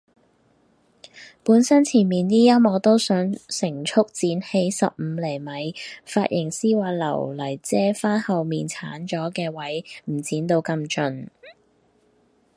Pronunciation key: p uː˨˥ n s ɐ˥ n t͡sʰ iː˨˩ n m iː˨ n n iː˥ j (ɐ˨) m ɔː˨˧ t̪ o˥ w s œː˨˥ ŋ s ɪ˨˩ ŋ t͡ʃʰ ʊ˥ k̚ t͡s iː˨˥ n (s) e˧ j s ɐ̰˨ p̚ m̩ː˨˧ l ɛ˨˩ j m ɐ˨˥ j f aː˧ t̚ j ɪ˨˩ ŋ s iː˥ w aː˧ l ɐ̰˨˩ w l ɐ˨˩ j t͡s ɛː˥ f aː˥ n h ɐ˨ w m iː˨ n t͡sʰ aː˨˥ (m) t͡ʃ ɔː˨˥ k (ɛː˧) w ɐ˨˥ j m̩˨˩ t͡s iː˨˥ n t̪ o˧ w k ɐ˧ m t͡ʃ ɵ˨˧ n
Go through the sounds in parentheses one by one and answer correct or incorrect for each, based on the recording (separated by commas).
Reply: incorrect, incorrect, incorrect, correct